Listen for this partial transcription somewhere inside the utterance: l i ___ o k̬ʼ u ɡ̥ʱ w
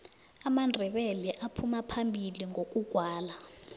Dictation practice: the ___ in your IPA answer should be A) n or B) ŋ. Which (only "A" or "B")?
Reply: B